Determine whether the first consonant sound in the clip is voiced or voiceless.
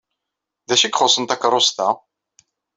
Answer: voiced